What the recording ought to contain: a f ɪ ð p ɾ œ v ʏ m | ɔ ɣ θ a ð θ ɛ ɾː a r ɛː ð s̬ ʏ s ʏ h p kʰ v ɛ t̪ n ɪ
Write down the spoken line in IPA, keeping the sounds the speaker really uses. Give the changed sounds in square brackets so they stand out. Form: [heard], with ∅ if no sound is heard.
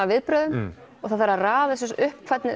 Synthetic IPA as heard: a [v] ɪ ð p ɾ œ [ð] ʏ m | ɔ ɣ θ a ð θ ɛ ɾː a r [aː] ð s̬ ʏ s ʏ h p kʰ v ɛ t̪ n ɪ